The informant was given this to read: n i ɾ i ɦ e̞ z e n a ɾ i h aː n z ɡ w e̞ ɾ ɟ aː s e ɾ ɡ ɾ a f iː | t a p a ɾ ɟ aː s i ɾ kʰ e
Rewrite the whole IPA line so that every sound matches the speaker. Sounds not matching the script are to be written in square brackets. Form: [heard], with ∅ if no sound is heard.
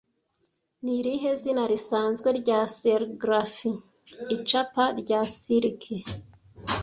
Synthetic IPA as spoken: n i ɾ i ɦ e̞ z [i] n a ɾ i [s] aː n z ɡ w e̞ ɾ ɟ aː s e ɾ ɡ ɾ a f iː | [t͡ʃ] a p a ɾ ɟ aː s i ɾ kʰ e